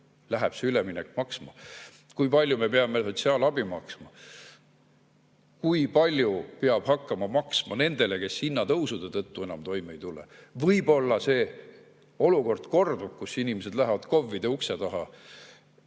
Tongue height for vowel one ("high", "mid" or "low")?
low